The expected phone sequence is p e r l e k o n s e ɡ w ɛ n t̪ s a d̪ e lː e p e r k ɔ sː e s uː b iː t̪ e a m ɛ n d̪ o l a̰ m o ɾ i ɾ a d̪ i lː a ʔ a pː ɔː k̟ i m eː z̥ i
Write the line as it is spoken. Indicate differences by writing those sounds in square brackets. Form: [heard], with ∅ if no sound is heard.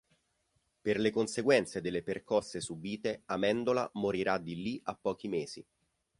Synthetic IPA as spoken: p e r l e k o n s e ɡ w ɛ n t̪ s [e] d̪ e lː e p e r k ɔ sː e s [u] b iː t̪ e a m ɛ n d̪ o l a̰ m o ɾ i ɾ a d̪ i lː [i] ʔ a pː ɔː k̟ i m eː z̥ i